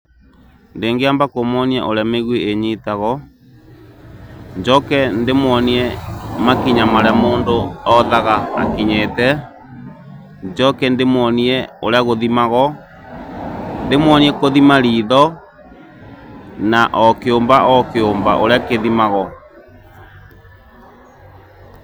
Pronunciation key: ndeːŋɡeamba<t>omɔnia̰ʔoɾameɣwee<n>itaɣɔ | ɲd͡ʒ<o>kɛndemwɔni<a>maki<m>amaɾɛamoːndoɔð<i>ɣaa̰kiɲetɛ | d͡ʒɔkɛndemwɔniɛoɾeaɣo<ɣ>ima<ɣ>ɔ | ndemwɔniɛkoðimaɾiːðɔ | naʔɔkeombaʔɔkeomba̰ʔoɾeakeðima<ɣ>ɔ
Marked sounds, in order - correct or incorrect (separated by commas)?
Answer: incorrect, incorrect, incorrect, incorrect, incorrect, incorrect, incorrect, correct, correct